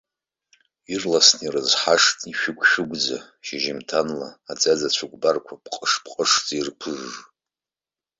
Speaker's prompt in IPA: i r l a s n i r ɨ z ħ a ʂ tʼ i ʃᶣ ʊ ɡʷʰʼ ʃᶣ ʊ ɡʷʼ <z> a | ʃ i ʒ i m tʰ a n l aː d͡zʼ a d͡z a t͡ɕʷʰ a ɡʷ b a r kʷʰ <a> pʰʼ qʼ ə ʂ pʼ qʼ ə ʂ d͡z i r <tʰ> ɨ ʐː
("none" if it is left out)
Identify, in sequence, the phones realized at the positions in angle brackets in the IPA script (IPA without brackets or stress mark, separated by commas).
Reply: d͡z, a, pʰ